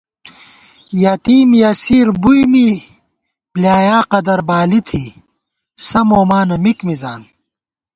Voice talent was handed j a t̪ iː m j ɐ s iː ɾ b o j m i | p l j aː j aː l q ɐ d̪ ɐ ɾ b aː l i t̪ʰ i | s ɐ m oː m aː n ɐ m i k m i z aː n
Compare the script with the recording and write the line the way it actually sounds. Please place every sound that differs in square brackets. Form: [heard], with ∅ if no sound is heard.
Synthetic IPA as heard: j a t̪ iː m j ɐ s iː ɾ b [u] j m i | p l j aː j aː [∅] q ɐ d̪ ɐ ɾ b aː l i t̪ʰ i | s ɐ m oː m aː n ɐ m i k m i z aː n